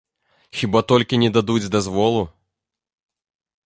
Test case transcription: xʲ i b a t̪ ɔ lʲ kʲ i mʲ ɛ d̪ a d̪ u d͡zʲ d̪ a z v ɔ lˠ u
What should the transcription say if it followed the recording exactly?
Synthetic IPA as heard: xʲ i b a t̪ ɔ lʲ kʲ i nʲ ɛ d̪ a d̪ u d͡zʲ d̪ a z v ɔ lˠ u